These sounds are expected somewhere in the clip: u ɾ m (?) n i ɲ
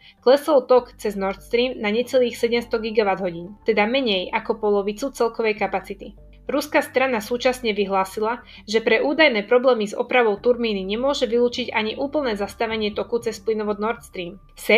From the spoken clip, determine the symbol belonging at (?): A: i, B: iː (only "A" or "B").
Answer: B